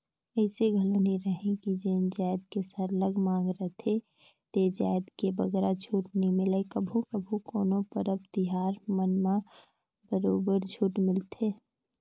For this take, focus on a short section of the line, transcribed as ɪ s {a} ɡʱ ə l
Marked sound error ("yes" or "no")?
yes